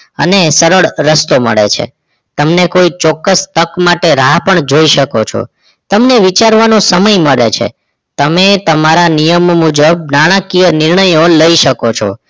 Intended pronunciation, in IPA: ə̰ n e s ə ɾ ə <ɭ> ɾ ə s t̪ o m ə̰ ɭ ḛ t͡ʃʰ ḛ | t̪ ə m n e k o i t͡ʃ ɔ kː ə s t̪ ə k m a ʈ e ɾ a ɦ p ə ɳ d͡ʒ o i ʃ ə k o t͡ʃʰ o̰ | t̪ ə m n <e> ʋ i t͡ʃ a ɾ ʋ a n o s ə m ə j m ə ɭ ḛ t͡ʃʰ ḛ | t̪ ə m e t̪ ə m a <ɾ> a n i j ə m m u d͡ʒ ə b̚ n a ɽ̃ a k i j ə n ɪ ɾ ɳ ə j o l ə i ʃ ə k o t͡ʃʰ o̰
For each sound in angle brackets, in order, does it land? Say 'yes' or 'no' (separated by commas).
yes, yes, yes